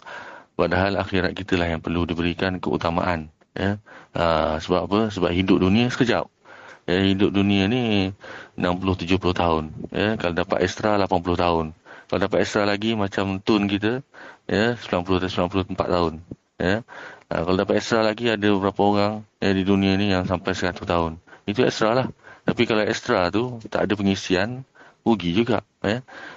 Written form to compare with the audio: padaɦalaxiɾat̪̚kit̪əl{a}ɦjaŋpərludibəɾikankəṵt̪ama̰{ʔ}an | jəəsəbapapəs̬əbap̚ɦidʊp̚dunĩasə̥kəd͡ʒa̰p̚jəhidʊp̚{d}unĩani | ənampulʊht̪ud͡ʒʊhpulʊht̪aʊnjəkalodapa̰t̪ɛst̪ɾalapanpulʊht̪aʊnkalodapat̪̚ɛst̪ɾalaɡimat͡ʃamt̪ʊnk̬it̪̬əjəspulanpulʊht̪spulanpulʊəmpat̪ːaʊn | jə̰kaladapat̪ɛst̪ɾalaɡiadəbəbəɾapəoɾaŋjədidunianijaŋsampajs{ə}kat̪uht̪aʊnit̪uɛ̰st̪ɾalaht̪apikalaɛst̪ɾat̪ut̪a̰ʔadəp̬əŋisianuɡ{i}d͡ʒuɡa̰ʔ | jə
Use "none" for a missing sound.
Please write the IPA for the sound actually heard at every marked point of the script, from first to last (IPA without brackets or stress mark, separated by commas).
a, ʔ, d, ə, i